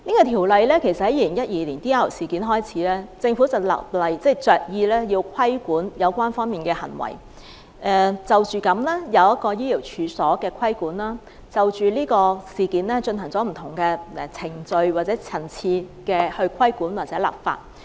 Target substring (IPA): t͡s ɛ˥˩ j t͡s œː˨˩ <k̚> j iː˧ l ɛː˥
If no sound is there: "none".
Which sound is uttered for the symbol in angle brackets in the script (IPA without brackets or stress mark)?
k̚